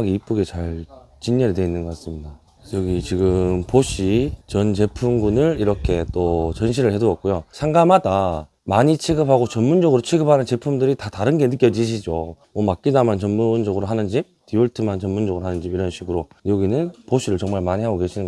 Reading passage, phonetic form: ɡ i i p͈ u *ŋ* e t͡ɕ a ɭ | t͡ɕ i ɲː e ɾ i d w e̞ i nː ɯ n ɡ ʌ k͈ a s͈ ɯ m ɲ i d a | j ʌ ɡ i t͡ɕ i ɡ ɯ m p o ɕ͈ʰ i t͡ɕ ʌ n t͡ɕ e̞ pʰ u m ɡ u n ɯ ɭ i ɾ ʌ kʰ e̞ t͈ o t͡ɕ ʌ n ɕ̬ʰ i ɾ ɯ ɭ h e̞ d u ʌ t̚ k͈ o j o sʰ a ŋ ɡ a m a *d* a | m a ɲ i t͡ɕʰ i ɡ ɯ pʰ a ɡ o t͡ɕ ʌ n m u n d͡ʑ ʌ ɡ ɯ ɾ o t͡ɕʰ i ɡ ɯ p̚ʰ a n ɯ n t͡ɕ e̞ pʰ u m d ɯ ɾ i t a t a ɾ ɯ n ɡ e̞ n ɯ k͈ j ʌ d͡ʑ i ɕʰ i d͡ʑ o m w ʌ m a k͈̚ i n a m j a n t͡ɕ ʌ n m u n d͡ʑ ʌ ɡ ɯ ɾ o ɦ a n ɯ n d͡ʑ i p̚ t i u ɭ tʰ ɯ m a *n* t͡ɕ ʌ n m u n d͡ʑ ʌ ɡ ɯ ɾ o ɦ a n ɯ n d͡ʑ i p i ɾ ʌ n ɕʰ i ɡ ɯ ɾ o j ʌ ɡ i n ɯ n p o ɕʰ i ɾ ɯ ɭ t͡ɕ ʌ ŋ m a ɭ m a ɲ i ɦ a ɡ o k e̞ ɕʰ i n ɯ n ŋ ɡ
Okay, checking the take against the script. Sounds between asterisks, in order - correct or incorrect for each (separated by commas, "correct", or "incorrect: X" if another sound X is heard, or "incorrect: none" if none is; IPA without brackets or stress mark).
incorrect: ɡ, correct, correct